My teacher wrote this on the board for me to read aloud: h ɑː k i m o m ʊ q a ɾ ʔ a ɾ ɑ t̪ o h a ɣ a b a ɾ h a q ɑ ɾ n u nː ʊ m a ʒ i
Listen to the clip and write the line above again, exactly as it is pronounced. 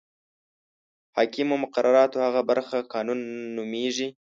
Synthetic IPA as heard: h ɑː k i m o m ʊ q a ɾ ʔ a ɾ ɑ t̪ o h a ɣ a b a ɾ x a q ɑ n u nː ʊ m e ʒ i